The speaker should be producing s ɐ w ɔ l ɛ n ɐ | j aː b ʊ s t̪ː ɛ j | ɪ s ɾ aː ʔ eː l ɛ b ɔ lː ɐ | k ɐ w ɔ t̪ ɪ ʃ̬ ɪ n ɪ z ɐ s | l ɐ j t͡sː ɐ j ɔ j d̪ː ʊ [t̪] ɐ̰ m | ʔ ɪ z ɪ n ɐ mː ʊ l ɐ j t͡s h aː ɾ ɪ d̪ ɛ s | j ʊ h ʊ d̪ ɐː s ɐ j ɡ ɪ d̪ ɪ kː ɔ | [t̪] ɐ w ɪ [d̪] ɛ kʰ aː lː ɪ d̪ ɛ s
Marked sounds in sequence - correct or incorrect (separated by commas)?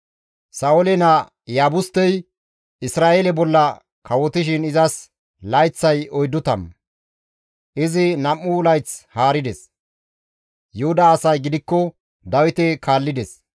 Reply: correct, incorrect, incorrect